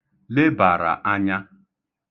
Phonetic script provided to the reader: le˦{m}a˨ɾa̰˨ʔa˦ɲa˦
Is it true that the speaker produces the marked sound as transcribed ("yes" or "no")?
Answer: no